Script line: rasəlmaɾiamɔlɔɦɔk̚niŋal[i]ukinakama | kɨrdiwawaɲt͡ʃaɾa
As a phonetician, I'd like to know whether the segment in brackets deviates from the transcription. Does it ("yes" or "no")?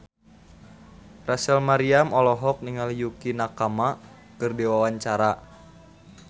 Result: yes